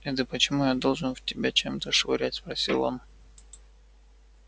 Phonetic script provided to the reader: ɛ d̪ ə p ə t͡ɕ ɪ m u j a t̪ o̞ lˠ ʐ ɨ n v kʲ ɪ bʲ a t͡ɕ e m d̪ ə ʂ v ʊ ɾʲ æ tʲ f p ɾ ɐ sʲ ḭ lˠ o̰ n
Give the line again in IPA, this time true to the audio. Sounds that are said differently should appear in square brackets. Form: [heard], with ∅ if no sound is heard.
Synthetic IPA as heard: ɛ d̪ ə p ə t͡ɕ ɪ m u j a [d̪] o̞ lˠ ʐ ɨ n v [tʲ] ɪ bʲ a t͡ɕ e m [t̪] ə ʂ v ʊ ɾʲ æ tʲ [s] p ɾ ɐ sʲ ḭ lˠ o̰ n